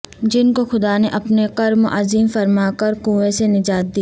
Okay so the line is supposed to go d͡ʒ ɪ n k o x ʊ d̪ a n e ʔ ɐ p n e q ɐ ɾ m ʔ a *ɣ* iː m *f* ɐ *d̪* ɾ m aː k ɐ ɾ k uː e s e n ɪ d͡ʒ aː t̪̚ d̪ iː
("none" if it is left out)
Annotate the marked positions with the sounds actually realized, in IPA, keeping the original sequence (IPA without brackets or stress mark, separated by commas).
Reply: z, f, none